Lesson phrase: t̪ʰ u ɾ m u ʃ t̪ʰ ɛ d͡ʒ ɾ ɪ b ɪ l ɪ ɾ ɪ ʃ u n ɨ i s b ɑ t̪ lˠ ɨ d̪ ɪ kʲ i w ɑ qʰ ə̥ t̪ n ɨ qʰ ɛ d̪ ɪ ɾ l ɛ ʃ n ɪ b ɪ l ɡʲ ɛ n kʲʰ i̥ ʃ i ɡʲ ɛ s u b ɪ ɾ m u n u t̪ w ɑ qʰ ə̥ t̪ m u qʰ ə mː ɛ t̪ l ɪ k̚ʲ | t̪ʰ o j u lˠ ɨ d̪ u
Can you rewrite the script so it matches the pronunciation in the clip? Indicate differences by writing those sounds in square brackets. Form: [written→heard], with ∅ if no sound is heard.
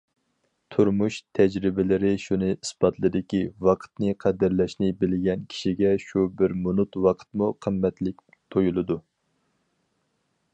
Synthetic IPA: t̪ʰ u ɾ m u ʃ t̪ʰ ɛ d͡ʒ ɾ ɪ b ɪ l ɪ ɾ ɪ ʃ u n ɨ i s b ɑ t̪ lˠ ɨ d̪ ɪ kʲ i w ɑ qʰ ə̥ t̪ n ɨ qʰ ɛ d̪ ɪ ɾ l ɛ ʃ n ɪ b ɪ l ɡʲ ɛ n kʲʰ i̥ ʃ i ɡʲ ɛ [s→ʃ] u b ɪ ɾ m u n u t̪ w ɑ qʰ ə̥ t̪ m u qʰ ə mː ɛ t̪ l ɪ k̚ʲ | t̪ʰ o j u lˠ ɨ d̪ u